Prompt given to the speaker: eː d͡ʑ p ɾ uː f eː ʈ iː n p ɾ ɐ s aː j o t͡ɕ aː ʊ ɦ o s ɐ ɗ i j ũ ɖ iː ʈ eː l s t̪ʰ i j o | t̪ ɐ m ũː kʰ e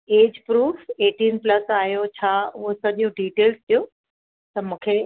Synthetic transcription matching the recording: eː d͡ʑ p ɾ uː f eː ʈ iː n p l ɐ s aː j o t͡ɕʰ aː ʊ ɦ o s ɐ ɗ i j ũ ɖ iː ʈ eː l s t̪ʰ i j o | t̪ ɐ m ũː kʰ e